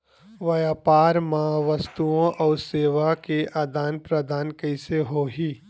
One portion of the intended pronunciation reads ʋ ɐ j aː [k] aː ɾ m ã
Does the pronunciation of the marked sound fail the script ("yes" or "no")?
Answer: yes